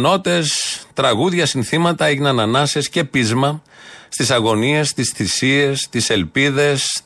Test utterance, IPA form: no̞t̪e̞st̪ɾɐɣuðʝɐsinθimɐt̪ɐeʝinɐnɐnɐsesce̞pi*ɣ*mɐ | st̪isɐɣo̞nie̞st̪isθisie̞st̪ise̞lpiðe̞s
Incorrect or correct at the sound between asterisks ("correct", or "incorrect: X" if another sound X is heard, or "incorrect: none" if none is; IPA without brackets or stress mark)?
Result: incorrect: z